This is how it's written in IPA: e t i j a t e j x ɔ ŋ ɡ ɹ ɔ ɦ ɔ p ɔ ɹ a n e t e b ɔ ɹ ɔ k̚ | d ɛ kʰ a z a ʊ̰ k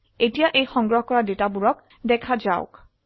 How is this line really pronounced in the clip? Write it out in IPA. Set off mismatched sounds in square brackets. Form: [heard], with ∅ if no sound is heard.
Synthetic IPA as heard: e t i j a [ʔ] e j x ɔ ŋ ɡ ɹ ɔ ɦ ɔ [k] ɔ ɹ a [d] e t [a] b [u] ɹ ɔ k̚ | d ɛ kʰ a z a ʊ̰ k